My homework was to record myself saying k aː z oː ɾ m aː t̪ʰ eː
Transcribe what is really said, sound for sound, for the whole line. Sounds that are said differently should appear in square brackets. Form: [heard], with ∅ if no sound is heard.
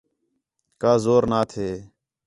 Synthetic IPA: k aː z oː ɾ [n] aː t̪ʰ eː

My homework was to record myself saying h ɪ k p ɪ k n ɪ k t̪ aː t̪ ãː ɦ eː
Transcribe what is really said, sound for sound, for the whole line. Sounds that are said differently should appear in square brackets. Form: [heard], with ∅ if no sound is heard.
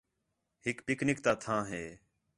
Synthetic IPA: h ɪ k p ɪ k n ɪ k t̪ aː [t̪ʰ] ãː ɦ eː

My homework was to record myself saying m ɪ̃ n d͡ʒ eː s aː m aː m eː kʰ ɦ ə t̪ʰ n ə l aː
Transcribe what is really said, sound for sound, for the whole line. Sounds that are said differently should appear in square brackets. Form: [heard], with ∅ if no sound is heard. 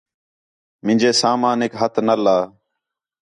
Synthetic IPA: m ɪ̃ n d͡ʒ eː s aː m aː [n] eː [k] ɦ ə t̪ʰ n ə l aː

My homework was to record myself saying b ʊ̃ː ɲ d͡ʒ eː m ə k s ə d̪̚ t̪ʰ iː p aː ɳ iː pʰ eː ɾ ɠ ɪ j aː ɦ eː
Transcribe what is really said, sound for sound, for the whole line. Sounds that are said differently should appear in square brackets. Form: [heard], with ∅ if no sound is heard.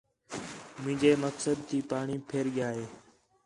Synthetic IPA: [m] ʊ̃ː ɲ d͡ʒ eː m ə k s ə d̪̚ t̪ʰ iː p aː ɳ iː pʰ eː ɾ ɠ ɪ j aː ɦ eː

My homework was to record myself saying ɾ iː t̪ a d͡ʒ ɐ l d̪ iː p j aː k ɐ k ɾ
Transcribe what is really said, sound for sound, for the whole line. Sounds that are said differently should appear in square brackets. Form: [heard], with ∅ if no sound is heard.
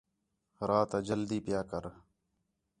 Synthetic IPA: ɾ [aː] t̪ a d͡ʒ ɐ l d̪ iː p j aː k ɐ [∅] ɾ

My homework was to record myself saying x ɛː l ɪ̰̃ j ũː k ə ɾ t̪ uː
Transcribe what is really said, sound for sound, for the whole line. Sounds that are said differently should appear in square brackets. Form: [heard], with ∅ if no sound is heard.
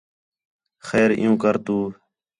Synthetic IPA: x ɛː [ɾ] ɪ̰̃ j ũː k ə ɾ t̪ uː

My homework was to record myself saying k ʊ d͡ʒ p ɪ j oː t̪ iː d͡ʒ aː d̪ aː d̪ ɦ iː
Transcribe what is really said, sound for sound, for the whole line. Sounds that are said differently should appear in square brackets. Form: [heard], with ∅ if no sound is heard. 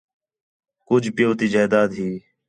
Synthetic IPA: k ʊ d͡ʒ p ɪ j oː t̪ iː d͡ʒ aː d̪ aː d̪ ɦ iː

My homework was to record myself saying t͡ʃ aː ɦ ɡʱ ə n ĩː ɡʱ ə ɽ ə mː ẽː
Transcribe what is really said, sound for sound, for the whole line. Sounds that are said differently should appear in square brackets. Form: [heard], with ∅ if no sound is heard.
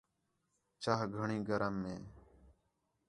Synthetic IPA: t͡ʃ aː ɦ ɡʱ ə [ɳ] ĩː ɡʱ ə [ɾ] ə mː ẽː

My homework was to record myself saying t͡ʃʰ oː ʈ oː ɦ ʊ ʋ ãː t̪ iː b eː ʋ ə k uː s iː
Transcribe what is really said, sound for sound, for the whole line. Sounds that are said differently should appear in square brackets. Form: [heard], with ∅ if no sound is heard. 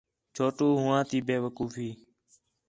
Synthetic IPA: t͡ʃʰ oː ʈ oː ɦ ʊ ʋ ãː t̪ iː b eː ʋ ə k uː [f] iː

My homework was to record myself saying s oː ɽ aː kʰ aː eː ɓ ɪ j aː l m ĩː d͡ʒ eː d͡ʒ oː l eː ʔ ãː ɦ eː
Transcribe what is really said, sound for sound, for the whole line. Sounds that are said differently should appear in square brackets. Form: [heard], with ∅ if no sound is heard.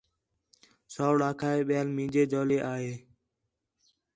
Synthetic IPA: s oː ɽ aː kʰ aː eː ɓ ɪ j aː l m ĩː d͡ʒ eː d͡ʒ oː l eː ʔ [aː] ɦ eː

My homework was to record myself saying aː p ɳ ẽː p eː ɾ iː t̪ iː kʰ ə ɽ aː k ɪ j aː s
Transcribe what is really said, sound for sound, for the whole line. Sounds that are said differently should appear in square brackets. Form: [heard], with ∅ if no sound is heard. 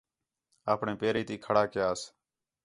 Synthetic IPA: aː p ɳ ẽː p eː ɾ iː t̪ iː kʰ ə ɽ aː k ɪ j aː s

